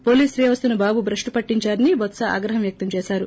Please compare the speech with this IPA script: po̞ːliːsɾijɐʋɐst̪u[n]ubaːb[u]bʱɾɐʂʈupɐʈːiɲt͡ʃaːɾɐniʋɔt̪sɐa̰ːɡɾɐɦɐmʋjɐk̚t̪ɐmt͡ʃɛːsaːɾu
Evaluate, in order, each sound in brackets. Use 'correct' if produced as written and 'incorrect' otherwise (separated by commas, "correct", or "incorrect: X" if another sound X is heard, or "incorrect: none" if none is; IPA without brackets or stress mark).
correct, correct